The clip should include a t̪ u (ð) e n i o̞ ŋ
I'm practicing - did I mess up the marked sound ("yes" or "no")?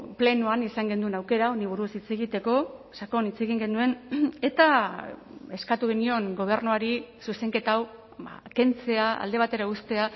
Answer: yes